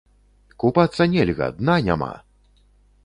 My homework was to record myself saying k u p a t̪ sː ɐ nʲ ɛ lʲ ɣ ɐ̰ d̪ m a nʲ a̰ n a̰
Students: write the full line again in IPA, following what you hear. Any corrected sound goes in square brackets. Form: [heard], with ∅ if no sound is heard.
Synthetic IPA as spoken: k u p a t̪ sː ɐ nʲ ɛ lʲ ɣ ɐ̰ d̪ [n] a nʲ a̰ [m] a̰